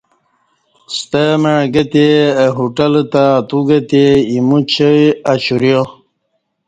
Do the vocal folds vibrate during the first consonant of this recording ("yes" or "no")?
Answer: no